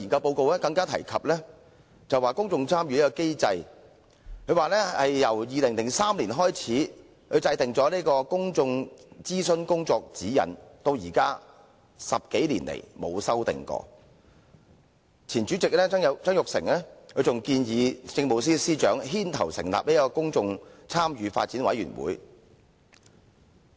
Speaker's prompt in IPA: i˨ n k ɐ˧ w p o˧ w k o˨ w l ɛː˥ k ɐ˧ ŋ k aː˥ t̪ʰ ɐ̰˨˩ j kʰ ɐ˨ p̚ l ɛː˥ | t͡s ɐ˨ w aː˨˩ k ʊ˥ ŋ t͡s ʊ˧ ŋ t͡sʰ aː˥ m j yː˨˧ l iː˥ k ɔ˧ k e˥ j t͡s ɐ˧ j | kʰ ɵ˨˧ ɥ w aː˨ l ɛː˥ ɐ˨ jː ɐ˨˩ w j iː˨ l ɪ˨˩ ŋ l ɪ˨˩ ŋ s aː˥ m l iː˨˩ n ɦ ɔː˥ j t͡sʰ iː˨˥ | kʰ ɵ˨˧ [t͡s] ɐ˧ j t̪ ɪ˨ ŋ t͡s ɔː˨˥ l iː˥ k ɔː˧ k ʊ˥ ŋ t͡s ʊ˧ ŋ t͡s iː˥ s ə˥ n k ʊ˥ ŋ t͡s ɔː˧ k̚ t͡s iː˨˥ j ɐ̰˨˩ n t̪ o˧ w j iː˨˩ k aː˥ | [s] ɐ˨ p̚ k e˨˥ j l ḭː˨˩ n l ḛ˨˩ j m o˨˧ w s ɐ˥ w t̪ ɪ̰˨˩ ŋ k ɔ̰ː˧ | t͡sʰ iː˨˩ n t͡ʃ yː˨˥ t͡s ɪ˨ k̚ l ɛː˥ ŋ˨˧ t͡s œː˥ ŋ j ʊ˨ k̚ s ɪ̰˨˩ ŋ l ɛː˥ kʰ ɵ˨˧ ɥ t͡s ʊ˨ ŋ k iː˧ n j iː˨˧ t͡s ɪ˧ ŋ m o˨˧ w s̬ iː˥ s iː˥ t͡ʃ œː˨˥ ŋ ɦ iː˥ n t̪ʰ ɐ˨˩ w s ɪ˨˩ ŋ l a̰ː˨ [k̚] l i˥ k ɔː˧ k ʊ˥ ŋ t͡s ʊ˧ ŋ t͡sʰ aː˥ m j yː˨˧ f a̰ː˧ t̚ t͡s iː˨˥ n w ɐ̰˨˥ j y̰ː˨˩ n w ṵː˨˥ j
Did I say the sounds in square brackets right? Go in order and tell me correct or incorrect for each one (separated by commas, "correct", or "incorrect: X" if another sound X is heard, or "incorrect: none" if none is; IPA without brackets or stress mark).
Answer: correct, correct, incorrect: p̚